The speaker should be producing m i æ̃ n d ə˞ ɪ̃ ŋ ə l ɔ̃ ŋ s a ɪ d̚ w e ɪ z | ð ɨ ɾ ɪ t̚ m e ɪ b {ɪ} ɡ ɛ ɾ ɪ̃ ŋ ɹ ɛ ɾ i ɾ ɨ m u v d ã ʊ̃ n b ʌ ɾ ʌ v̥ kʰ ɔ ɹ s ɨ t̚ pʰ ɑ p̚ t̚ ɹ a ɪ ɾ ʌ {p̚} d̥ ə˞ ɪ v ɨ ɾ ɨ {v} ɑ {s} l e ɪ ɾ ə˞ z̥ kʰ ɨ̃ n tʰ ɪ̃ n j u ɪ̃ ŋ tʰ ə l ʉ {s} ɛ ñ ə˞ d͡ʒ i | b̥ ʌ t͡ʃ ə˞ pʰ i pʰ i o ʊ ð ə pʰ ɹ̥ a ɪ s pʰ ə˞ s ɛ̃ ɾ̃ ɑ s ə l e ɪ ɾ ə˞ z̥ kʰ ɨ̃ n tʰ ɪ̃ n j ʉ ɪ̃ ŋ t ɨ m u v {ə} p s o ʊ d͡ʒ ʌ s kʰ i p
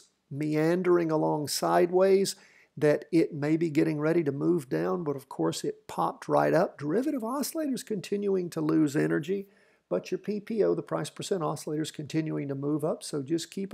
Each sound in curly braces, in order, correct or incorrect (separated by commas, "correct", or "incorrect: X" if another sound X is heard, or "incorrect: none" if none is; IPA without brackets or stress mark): incorrect: i, correct, correct, correct, incorrect: z, incorrect: ʌ